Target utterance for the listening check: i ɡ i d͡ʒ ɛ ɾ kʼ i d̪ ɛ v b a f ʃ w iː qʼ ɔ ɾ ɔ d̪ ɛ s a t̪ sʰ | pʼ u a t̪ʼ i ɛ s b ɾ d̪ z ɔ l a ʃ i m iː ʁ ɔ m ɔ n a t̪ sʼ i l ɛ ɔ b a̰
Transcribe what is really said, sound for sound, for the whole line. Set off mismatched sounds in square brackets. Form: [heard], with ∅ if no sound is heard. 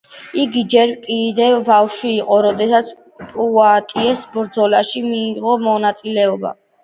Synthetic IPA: i ɡ i d͡ʒ ɛ ɾ kʼ i d̪ ɛ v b a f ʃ w iː qʼ ɔ ɾ ɔ d̪ ɛ s a t̪ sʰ | pʼ u a t̪ʼ i ɛ s b ɾ d̪ z ɔ l a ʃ i m iː ʁ ɔ m ɔ n a t̪ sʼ i l ɛ ɔ b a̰